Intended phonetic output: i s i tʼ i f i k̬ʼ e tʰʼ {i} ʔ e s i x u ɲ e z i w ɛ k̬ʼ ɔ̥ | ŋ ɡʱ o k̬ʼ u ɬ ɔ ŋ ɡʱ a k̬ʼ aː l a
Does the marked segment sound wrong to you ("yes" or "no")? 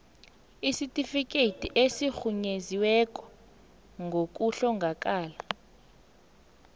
no